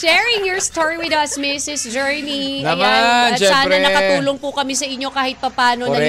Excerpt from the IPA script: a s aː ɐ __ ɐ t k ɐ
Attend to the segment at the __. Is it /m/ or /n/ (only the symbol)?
n